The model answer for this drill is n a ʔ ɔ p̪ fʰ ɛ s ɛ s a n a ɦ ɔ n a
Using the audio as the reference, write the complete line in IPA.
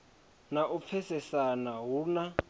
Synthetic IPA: n a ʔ u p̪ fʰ ɛ s ɛ s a n a ɦ u n a